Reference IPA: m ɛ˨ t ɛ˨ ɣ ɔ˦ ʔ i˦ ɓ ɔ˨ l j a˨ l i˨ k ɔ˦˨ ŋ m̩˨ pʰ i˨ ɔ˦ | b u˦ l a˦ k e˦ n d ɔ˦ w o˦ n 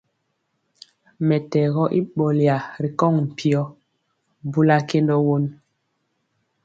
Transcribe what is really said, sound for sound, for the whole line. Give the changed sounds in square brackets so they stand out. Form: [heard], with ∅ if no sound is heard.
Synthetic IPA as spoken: m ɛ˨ t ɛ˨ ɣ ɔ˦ ʔ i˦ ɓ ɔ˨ l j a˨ [ɾ] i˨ k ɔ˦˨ ŋ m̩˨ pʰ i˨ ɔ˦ | b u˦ l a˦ k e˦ n d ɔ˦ w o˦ n

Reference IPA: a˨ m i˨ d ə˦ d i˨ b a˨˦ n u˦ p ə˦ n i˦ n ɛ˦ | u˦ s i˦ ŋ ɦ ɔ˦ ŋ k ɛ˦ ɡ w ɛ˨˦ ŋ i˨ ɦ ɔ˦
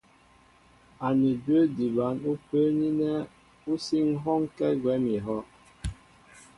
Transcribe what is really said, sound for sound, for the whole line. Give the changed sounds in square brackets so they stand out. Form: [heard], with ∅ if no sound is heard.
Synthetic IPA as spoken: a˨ [n] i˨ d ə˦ d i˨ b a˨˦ n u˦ p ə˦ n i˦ n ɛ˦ | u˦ s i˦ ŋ ɦ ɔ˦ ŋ k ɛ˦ ɡ w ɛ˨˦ [m] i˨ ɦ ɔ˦

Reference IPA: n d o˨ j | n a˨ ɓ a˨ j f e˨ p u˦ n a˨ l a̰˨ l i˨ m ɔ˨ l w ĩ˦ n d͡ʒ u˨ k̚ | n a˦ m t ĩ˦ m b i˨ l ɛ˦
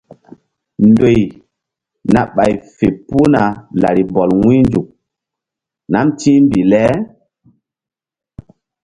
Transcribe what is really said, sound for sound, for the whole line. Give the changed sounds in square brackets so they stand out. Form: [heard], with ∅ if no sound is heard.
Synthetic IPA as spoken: n d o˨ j | n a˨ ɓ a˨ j f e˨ p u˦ n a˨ l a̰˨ [ɾ] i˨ [b] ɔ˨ l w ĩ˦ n d͡ʒ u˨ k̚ | n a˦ m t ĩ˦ m b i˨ l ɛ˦

